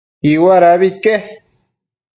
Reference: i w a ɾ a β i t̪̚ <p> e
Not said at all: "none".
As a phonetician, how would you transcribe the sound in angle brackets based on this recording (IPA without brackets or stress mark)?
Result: k